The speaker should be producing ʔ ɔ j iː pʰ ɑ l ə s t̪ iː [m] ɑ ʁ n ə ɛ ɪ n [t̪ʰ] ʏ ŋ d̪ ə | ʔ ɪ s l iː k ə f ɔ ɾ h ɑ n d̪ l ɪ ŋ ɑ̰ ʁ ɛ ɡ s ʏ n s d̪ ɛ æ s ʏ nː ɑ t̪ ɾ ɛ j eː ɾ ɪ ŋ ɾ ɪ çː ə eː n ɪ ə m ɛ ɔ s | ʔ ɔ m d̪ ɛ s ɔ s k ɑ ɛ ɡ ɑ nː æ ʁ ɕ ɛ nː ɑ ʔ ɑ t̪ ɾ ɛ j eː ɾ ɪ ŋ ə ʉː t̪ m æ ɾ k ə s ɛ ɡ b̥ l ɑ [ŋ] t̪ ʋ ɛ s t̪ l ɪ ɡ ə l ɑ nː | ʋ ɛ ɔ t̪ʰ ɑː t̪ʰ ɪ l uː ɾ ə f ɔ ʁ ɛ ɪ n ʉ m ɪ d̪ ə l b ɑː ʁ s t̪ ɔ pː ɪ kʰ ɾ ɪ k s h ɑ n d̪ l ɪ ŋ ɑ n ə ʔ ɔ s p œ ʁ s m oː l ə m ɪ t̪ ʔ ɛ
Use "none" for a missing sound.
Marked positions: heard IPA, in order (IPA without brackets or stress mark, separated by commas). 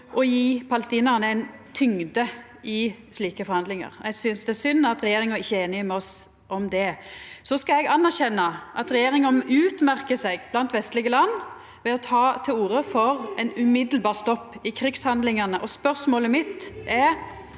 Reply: n, t̪ʰ, n